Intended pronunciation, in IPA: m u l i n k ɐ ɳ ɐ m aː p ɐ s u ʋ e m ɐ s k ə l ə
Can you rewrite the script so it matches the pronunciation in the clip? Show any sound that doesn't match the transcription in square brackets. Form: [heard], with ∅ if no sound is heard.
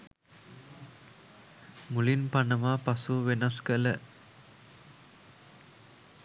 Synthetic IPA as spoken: m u l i n [p] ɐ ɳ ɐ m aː p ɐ s u ʋ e [n] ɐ s k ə l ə

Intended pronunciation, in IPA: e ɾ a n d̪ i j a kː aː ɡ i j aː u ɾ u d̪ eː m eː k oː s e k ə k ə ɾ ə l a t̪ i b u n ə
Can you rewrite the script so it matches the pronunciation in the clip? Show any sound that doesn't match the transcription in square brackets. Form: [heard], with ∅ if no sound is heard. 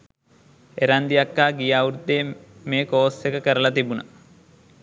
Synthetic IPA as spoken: e ɾ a n d̪ i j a kː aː ɡ i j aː u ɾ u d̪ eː m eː k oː s e k ə k ə ɾ ə l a t̪ i b u n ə

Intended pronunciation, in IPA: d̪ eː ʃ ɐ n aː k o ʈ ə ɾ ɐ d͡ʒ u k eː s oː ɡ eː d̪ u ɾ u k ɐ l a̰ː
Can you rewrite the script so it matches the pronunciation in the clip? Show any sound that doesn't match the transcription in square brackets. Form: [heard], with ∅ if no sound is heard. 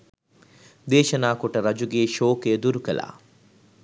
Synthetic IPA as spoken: d̪ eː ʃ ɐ n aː k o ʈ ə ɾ ɐ d͡ʒ u [ɡ] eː [ʃ] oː [k] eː d̪ u ɾ u k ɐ l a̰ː

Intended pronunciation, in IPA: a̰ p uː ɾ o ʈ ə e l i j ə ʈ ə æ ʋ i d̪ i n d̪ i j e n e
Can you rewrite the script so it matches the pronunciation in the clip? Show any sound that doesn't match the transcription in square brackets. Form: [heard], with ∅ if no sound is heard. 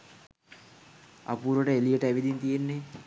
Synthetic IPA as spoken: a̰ p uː ɾ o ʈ ə e l i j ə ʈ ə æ ʋ i d̪ i n [t̪] i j e [nː] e

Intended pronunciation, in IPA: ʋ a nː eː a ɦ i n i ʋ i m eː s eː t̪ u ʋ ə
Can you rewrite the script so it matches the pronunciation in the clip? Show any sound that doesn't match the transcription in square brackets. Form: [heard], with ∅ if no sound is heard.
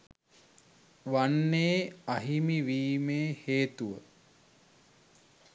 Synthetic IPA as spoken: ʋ a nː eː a ɦ i [m] i ʋ [iː] m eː [h] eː t̪ u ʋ ə

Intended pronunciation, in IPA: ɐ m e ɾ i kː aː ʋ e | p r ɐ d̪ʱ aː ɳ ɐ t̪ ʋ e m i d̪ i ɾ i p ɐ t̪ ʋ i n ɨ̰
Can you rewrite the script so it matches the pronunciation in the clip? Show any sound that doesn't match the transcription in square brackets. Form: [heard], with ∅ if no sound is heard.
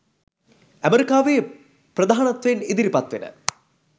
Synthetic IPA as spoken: ɐ m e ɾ i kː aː ʋ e | p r ɐ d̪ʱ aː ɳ ɐ t̪ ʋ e [n] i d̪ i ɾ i p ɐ t̪ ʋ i n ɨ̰

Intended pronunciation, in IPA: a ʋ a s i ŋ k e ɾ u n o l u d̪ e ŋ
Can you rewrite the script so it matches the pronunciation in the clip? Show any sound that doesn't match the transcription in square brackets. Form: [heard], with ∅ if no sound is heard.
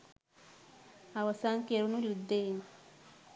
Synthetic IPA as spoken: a [w] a s [a] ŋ k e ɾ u n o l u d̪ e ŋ

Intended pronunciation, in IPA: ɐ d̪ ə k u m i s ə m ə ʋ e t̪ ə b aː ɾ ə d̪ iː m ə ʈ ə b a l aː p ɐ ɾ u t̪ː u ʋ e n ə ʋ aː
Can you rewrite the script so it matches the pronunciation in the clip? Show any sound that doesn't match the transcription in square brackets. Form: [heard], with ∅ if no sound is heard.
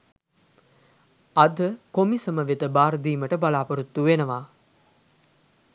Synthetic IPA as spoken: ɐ d̪ ə k [o] m i s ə m ə ʋ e t̪ ə b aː ɾ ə d̪ iː m ə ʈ ə b a l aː p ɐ ɾ u t̪ː u ʋ e n ə ʋ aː

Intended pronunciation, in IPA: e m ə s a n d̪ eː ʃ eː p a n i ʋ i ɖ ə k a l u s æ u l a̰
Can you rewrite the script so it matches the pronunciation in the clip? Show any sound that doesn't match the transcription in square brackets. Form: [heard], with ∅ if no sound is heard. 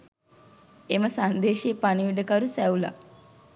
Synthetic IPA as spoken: e m ə s a n d̪ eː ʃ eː p a n i ʋ i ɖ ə k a [ɾ] u s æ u l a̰

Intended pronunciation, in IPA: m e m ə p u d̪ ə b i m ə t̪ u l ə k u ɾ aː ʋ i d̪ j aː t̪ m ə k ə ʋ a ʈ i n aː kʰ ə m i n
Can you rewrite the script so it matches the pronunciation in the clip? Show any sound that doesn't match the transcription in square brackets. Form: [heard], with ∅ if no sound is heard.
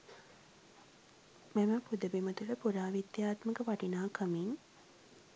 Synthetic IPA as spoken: m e m ə p u d̪ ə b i m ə t̪ u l ə [p] u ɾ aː ʋ i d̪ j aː t̪ m ə k ə ʋ a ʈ i n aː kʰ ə m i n

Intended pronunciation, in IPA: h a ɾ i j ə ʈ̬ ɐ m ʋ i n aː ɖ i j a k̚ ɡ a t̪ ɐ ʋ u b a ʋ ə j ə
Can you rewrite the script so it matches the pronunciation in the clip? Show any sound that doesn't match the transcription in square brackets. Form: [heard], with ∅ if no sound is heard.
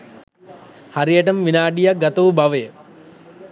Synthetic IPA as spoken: h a ɾ i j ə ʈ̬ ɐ m ʋ i n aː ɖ i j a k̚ ɡ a t̪ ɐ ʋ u b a ʋ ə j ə

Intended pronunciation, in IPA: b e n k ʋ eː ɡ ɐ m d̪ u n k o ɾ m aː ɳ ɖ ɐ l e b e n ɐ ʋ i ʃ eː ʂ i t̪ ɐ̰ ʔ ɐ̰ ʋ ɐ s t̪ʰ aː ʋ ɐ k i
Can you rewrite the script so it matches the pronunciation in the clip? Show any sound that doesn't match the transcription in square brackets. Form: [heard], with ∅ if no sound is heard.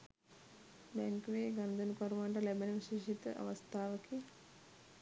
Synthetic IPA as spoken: b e [ŋ] k ʋ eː ɡ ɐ [n] d̪ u n k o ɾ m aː ɳ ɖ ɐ l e b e n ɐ ʋ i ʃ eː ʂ i t̪ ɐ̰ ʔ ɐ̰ ʋ ɐ s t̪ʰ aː ʋ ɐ k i

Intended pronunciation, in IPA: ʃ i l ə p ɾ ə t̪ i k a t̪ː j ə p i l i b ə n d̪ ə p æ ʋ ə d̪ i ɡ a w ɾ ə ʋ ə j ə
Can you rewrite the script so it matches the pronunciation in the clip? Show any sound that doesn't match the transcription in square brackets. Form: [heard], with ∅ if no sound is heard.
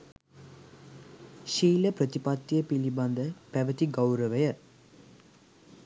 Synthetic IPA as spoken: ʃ [iː] l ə p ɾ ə t̪ i [p] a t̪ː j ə p i l i b [a] n d̪ ə p æ ʋ ə [t̪] i ɡ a w ɾ ə ʋ ə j ə

